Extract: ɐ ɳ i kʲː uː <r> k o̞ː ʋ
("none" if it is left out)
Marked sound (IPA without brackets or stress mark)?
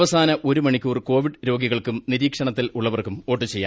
r